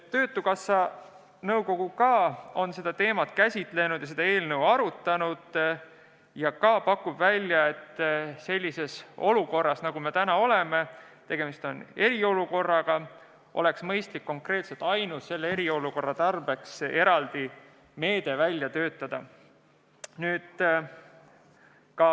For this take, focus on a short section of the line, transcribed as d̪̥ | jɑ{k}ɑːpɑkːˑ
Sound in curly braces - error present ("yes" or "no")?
no